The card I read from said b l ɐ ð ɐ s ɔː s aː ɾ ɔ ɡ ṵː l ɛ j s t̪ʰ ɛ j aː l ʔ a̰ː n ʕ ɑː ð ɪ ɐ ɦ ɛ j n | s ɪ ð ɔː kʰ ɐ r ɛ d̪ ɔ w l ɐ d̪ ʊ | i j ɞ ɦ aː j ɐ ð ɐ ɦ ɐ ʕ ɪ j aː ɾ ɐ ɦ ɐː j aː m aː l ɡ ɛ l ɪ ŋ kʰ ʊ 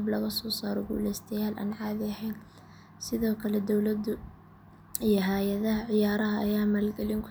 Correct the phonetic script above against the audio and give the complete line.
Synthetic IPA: b l ɐ ɣ ɐ s ɔː s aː ɾ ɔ ɡ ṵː l ɛ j s t̪ʰ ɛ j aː l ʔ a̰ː n ʕ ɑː ð ɪ ɐ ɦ ɛ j n | s ɪ ð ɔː kʰ ɐ l ɛ d̪ ɔ w l ɐ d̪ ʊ | i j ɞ ɦ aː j ɐ ð ɐ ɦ ɐ ʕ ɪ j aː ɾ ɐ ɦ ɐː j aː m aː l ɡ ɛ l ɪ ŋ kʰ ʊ